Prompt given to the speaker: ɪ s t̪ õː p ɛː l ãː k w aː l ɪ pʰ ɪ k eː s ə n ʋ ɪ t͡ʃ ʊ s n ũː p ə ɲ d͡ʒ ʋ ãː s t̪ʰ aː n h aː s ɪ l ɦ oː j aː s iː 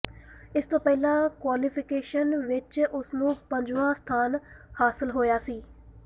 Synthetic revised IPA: ɪ s t̪ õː p ɛː l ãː k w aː l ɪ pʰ ɪ k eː ʃ ə n ʋ ɪ t͡ʃ ʊ s n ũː p ə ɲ d͡ʒ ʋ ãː s t̪ʰ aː n h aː s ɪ l ɦ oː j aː s iː